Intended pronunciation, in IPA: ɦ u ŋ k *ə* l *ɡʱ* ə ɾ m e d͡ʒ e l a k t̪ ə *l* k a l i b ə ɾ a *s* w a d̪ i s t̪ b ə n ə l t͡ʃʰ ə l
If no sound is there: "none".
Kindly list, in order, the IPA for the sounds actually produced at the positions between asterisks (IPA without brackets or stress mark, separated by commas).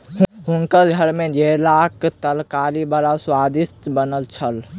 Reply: ə, ɡʱ, l, s